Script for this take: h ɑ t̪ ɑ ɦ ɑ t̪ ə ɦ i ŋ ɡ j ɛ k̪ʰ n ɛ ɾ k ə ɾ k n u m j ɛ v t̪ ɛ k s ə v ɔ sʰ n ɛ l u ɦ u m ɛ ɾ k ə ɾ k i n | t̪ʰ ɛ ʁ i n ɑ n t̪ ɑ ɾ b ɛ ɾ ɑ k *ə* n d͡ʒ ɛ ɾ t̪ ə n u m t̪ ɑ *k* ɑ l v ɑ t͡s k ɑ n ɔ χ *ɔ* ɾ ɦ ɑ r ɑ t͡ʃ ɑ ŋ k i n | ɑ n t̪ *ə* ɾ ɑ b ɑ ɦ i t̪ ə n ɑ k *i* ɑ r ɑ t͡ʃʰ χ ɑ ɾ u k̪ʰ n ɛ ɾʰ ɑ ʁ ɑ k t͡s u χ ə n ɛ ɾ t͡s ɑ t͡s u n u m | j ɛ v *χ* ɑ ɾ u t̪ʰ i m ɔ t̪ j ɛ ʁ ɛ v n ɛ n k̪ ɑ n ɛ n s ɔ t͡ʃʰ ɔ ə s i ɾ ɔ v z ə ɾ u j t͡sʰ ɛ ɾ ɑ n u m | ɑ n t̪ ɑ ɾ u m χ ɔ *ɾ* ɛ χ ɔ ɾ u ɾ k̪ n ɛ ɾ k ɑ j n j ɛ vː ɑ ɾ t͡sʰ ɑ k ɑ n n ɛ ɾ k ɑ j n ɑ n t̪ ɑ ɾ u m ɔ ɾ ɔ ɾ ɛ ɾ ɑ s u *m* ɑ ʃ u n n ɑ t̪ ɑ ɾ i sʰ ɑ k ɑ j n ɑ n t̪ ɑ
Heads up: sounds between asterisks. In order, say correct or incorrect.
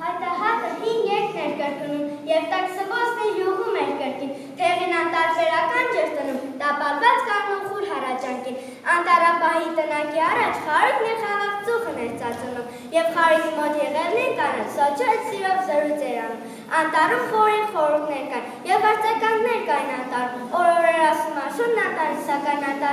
incorrect: ɑ, incorrect: p, incorrect: u, incorrect: ɑ, correct, correct, correct, correct

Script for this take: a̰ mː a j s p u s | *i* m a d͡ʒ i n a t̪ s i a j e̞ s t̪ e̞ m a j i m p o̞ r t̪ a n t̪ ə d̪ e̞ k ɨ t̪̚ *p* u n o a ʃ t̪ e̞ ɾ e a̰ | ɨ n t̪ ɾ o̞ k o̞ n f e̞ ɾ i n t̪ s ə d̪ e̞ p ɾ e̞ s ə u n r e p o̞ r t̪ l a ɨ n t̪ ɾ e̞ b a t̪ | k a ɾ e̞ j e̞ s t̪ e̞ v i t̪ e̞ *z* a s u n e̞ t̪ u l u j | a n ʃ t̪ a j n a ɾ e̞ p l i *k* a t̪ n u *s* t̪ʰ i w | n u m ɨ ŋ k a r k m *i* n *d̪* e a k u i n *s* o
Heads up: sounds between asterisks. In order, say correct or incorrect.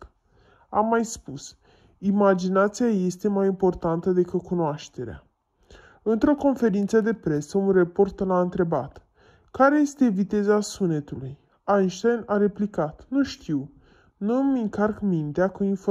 correct, incorrect: k, correct, correct, incorrect: ʃ, correct, incorrect: t̪, incorrect: f

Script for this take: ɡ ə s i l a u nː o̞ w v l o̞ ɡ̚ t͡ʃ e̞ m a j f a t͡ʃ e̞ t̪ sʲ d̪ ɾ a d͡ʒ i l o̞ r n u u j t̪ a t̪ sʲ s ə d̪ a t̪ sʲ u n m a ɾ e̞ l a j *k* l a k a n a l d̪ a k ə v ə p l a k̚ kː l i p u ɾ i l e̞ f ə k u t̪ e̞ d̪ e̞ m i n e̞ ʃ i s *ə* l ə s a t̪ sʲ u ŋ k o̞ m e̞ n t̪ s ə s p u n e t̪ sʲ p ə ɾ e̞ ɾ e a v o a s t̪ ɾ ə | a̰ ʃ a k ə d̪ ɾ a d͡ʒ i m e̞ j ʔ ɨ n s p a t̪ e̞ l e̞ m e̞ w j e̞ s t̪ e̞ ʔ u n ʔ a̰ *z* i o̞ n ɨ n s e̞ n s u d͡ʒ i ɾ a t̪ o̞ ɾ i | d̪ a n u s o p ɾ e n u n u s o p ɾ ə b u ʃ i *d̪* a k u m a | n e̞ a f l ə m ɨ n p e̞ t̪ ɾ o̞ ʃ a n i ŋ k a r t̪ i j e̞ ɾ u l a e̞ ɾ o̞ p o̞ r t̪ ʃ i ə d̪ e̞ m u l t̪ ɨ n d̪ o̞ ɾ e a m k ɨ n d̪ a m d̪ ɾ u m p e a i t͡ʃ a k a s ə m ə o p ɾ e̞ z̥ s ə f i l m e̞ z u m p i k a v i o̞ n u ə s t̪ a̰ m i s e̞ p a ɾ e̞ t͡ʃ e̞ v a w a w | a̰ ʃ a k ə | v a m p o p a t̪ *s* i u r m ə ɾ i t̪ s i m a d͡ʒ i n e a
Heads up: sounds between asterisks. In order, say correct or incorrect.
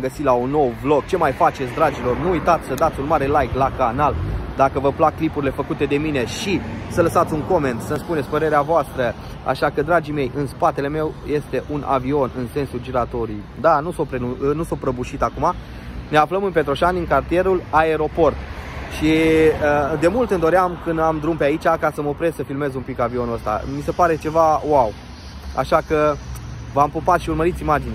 correct, correct, incorrect: v, incorrect: t̪, incorrect: ʃ

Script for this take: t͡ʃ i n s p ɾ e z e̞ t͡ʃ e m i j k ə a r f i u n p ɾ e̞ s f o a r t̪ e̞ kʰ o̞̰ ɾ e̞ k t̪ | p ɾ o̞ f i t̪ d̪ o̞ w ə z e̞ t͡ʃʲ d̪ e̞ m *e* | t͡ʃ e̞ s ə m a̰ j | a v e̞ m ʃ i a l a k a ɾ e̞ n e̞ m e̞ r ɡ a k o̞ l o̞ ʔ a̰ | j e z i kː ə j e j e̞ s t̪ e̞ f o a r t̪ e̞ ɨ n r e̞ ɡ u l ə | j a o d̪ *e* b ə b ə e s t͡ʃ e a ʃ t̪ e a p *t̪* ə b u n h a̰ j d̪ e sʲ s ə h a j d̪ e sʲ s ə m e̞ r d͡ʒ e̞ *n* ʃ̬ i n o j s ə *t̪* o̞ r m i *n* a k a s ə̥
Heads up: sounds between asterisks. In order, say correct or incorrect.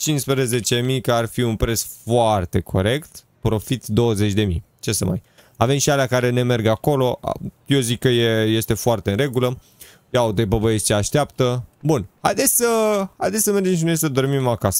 incorrect: i, correct, correct, incorrect: m, incorrect: d̪, incorrect: m

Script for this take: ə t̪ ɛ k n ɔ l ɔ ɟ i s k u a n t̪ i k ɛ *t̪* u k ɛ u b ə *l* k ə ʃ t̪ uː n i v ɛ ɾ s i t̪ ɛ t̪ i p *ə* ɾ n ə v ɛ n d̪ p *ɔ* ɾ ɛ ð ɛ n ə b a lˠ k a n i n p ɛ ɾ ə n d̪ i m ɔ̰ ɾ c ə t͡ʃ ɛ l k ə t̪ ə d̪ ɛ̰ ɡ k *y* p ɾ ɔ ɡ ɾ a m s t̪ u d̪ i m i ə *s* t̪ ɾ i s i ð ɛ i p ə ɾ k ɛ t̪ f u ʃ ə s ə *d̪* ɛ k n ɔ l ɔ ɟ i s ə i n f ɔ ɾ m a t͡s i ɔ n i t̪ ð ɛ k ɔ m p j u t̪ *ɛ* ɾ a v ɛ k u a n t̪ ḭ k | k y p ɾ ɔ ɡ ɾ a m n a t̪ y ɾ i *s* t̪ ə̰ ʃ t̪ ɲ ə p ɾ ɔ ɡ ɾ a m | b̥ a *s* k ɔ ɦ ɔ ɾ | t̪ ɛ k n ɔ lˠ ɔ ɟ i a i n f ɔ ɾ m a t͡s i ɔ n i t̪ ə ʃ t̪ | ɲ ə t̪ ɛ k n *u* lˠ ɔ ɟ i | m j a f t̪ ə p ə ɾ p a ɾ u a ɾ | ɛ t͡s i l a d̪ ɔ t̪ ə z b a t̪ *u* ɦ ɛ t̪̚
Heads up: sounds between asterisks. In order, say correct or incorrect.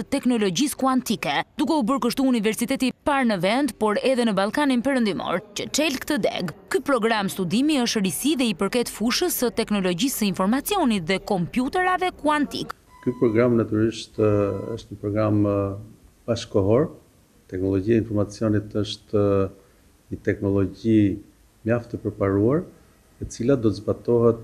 incorrect: d̪, incorrect: ɾ, incorrect: a, correct, correct, incorrect: ʃ, incorrect: t̪, correct, incorrect: ʃ, incorrect: ʃ, incorrect: ɔ, incorrect: ɔ

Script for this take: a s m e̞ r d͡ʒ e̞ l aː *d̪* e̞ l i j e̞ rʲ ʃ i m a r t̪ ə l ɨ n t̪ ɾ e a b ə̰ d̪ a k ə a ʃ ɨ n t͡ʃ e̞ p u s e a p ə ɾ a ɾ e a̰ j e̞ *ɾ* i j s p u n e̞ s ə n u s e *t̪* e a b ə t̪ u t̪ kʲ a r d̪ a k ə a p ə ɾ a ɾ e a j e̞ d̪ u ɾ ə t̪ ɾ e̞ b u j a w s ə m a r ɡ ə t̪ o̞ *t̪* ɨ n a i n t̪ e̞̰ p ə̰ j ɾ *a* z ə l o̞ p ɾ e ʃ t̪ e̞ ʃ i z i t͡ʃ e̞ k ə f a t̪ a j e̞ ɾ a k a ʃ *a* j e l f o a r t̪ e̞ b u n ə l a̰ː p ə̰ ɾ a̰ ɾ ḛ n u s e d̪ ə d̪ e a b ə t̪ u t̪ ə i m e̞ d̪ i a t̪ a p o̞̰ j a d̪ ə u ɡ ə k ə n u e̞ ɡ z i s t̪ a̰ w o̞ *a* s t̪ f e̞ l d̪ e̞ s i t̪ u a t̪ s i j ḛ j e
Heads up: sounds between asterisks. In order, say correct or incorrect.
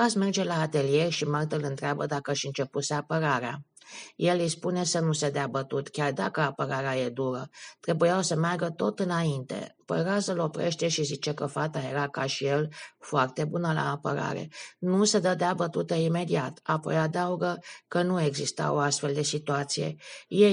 incorrect: t̪, incorrect: l, incorrect: d̪, correct, correct, incorrect: i, correct

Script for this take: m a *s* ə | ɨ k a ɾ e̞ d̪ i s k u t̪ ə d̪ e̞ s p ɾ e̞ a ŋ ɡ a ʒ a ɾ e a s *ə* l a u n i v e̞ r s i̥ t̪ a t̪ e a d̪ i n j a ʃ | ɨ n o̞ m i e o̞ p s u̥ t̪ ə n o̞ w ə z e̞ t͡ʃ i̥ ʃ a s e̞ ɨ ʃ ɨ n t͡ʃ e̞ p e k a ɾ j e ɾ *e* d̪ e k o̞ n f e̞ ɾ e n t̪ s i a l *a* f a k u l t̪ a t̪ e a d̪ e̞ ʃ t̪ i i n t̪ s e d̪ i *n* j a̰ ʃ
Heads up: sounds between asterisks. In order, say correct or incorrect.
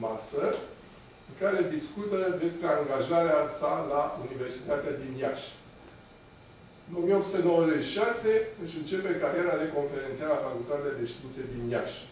correct, incorrect: a, incorrect: a, correct, correct

